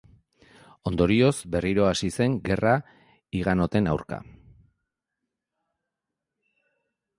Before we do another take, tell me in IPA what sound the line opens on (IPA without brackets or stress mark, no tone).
o̞